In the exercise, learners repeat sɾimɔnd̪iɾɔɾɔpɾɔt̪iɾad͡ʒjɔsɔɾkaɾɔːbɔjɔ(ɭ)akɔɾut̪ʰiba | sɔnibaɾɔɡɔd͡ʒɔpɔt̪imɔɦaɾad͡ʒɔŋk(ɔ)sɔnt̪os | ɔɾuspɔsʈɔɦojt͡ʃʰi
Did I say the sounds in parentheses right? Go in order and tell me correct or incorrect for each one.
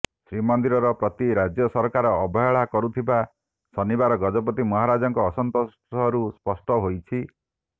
correct, incorrect: ɔː

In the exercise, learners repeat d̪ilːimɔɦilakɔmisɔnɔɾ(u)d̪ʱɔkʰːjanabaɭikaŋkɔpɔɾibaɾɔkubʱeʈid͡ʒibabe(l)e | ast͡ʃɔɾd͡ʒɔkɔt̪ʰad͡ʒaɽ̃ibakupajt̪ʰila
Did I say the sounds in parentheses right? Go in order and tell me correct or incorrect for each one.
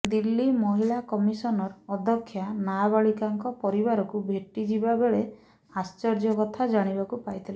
incorrect: ɔ, incorrect: ɭ

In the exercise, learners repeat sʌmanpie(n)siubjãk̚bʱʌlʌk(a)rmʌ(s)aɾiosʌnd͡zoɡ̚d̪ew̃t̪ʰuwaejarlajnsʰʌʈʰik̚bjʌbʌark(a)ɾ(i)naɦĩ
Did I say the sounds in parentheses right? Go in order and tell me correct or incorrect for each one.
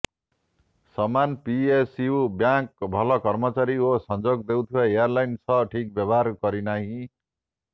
incorrect: none, incorrect: ʌ, incorrect: t͡s, incorrect: ʌ, correct

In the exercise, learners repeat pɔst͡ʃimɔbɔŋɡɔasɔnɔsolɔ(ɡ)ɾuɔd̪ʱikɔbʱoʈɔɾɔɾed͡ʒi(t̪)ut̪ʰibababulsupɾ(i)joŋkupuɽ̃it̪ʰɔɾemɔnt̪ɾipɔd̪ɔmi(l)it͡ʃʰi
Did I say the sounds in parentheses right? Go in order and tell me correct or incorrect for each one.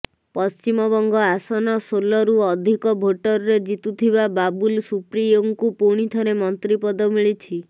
incorrect: none, correct, correct, incorrect: ɭ

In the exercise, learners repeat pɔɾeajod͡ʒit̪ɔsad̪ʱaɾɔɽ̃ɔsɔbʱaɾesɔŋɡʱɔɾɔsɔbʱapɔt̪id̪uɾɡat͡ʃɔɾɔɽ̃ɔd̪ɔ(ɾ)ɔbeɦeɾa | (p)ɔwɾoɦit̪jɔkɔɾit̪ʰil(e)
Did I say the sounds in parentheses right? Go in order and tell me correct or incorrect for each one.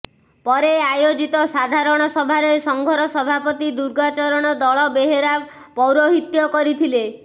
incorrect: ɭ, correct, correct

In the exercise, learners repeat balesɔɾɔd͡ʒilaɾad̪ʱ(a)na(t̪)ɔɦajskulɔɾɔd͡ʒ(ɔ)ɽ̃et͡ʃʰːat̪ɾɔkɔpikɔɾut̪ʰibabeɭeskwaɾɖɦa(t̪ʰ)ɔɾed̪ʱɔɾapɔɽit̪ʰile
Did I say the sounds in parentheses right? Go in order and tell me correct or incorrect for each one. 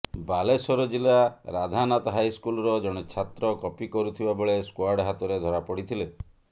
correct, correct, correct, incorrect: t̪

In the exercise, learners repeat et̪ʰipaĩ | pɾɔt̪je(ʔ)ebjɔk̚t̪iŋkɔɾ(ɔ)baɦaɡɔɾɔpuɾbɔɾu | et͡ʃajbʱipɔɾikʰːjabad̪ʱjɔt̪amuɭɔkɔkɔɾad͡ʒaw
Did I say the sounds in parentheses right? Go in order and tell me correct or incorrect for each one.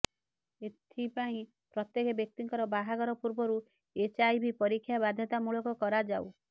incorrect: k, correct

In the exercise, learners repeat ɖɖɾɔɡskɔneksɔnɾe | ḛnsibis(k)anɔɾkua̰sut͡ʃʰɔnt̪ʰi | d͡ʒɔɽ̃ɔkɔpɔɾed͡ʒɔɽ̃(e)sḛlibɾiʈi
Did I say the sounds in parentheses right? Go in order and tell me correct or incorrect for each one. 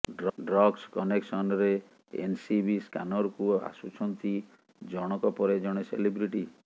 correct, correct

